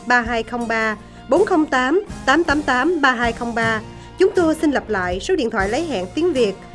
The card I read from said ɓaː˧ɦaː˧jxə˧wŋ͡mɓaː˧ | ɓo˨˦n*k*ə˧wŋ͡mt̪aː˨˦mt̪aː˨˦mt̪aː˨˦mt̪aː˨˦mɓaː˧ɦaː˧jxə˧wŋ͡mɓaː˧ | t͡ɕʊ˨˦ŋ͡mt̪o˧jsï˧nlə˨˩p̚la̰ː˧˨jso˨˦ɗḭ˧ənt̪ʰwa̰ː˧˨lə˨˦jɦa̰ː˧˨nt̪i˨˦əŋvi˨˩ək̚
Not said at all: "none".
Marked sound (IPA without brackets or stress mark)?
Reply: x